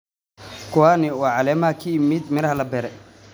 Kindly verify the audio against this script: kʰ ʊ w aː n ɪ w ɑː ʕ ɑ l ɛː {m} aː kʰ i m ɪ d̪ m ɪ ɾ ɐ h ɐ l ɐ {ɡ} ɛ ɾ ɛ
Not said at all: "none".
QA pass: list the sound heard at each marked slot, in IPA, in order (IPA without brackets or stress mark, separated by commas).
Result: m, b